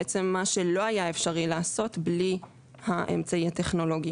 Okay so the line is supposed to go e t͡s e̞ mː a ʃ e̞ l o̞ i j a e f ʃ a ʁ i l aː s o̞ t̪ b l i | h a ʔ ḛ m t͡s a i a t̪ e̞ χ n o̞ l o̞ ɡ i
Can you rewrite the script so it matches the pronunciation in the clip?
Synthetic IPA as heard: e t͡s e̞ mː a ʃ e̞ l o̞ a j a e f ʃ a ʁ i l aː s o̞ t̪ b l i | h a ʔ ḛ m t͡s a i a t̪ e̞ χ n o̞ l o̞ ɡ i